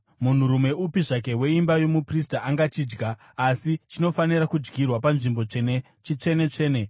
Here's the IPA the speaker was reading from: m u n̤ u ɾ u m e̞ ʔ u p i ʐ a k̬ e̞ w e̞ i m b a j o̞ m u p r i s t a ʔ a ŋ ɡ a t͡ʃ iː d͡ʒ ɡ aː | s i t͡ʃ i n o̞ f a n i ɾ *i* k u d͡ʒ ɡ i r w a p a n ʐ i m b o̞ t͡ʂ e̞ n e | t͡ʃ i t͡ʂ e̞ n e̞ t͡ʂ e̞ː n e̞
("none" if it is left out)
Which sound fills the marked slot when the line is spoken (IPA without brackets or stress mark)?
a